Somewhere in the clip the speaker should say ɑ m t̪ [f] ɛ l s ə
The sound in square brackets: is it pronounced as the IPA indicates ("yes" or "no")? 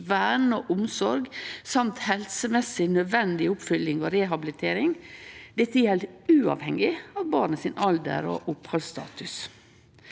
no